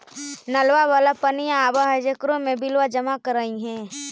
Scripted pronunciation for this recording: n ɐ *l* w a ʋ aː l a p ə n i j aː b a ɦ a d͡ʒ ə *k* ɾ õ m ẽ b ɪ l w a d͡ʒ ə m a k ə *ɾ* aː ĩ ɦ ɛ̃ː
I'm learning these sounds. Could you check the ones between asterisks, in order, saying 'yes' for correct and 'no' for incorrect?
yes, yes, yes

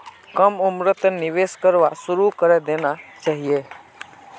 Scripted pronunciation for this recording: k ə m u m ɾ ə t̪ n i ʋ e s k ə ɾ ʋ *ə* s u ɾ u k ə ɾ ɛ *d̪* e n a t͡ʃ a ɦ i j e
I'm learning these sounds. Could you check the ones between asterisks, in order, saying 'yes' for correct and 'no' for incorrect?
no, yes

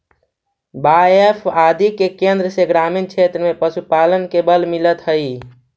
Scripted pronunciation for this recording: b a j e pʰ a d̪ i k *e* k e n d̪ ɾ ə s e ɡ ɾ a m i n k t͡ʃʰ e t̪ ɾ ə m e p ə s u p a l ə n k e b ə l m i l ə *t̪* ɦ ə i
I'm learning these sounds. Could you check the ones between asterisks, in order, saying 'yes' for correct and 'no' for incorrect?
yes, yes

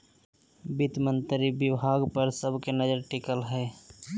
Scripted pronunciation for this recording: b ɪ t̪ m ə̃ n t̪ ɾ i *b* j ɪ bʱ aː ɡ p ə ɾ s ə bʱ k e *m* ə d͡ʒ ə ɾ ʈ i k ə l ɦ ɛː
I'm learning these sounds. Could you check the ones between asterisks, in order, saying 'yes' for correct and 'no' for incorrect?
yes, no

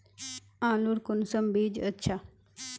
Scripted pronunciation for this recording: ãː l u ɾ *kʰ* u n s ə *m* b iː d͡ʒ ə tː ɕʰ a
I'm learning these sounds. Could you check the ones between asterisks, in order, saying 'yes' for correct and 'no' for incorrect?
no, yes

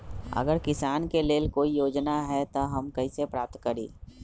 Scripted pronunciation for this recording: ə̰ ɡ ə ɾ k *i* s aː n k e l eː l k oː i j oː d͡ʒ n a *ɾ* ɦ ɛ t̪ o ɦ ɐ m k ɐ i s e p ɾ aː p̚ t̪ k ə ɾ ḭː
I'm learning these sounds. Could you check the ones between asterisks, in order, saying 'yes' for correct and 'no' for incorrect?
no, no

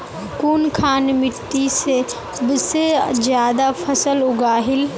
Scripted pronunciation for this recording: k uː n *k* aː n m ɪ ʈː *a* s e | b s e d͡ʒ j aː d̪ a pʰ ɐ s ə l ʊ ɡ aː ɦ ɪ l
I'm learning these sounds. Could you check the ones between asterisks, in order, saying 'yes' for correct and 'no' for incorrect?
no, no

